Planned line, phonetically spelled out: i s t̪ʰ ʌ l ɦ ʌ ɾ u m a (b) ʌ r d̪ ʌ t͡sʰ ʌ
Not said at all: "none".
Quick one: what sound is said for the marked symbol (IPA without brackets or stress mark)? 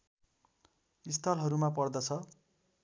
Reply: p